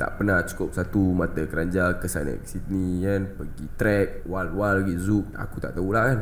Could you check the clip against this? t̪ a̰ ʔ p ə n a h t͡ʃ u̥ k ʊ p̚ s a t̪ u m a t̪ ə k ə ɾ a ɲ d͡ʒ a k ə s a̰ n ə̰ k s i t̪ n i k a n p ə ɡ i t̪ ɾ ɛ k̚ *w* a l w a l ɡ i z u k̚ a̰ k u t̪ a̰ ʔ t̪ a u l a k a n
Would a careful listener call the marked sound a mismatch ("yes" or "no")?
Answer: no